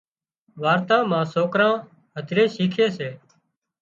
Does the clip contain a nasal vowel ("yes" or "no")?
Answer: yes